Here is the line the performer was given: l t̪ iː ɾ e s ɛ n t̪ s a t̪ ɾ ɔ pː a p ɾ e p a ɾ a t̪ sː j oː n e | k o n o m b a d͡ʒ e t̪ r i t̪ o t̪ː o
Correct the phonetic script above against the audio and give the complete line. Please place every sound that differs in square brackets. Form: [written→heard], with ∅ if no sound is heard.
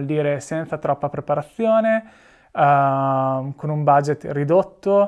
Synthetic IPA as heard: l [t̪→d̪] iː ɾ e s ɛ n t̪ s a t̪ ɾ ɔ pː a p ɾ e p a ɾ a t̪ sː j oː n e | k o n [o→u] m b a d͡ʒ e t̪ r i [t̪→d̪] o t̪ː o